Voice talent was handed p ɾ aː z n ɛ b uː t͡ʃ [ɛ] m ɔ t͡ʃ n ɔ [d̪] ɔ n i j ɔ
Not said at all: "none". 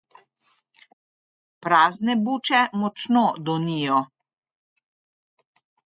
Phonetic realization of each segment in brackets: ɛ, d̪

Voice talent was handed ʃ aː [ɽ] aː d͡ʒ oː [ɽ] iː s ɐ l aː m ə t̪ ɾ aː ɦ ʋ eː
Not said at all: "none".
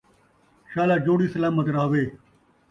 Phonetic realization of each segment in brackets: l, ɽ

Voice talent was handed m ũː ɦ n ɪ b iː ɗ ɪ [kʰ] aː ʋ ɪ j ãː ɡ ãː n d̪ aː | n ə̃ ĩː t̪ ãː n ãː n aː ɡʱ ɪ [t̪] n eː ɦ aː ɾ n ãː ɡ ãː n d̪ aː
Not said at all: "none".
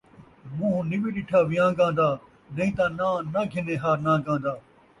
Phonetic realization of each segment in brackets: ʈʰ, none

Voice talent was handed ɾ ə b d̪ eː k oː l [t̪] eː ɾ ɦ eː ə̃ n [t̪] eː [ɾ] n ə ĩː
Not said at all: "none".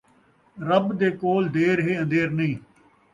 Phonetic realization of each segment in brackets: d̪, d̪, ɾ

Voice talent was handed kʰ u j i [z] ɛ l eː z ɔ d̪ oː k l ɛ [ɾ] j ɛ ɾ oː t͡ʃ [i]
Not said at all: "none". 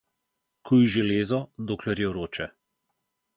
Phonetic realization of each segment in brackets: ʒ, ɾ, ɛ

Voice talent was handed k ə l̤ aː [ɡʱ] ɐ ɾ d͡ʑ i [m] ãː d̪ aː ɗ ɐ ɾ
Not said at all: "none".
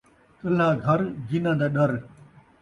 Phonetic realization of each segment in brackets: ɡʱ, n

